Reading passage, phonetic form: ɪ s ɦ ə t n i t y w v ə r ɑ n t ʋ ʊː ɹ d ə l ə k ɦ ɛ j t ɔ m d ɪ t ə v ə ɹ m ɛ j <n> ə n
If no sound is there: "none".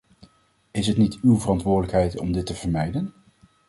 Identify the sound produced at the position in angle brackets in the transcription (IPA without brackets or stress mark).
d